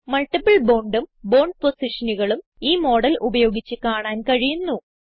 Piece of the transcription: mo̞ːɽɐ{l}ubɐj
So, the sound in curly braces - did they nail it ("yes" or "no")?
yes